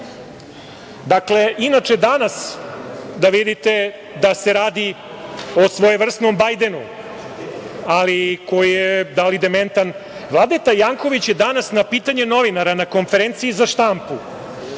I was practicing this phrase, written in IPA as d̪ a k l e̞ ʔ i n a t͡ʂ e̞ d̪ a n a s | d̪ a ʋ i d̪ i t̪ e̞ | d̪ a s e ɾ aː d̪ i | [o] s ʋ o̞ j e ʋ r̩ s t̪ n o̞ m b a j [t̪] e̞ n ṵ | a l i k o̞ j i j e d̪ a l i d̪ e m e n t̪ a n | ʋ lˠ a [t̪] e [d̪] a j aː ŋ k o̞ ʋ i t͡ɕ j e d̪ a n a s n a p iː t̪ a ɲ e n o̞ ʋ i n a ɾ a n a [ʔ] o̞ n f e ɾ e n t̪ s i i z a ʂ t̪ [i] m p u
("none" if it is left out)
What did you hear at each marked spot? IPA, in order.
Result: o, d̪, d̪, t̪, k, a

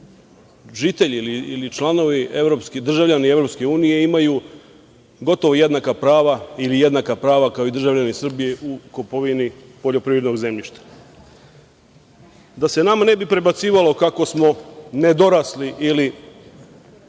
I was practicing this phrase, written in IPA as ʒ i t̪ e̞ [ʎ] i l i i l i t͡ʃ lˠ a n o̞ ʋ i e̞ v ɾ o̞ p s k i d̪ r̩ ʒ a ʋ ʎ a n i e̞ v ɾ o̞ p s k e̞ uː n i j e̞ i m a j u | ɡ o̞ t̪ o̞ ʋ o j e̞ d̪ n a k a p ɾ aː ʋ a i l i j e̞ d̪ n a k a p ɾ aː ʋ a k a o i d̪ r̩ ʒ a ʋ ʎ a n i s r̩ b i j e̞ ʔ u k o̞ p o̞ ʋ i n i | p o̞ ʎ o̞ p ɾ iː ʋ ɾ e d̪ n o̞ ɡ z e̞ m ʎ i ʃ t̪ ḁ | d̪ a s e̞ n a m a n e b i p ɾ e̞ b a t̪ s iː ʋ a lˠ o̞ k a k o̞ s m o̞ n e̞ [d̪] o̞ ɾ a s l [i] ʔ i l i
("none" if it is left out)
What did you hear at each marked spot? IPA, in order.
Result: ʎ, d̪, i

